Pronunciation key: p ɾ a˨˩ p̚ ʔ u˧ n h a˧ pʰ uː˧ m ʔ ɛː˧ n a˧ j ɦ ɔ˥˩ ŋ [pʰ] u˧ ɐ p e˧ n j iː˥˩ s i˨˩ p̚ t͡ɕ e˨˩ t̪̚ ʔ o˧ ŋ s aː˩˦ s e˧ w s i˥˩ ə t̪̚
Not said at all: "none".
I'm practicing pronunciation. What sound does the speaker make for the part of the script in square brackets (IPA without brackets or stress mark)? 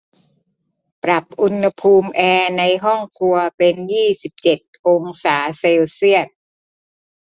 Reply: kʰ